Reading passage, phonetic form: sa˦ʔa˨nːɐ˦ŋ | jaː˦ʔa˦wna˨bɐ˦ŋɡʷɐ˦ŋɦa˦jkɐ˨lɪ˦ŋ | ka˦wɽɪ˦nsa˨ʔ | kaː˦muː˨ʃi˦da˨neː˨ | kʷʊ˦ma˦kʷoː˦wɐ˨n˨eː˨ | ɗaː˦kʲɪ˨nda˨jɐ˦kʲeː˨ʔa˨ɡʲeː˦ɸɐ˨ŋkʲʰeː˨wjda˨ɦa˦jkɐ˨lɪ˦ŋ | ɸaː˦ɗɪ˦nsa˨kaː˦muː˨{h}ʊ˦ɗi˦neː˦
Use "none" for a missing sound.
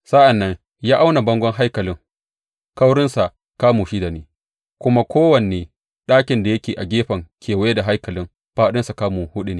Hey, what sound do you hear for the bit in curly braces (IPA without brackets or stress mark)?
h